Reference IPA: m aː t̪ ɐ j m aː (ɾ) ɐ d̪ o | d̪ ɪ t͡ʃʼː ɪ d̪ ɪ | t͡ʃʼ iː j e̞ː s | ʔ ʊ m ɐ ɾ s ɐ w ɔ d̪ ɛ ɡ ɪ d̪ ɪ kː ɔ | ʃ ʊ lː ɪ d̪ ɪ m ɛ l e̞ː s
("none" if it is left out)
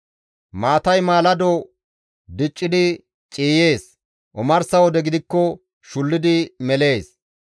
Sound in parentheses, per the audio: l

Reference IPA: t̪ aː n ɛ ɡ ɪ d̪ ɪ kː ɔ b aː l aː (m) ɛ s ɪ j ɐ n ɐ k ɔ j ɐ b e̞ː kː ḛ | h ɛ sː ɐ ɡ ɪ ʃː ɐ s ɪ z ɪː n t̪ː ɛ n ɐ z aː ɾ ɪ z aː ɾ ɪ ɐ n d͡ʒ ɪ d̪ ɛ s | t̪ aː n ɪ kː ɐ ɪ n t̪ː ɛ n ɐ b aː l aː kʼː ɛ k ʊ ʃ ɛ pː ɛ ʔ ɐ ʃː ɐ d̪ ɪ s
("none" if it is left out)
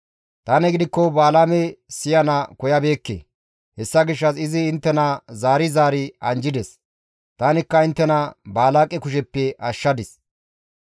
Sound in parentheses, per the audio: m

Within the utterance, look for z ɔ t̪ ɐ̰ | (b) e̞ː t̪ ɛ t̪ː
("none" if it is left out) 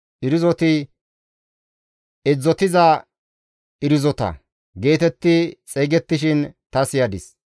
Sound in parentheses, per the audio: ɡ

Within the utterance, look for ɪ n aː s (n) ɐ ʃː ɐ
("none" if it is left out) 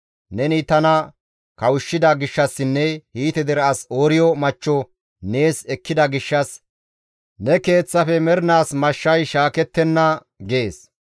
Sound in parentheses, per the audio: m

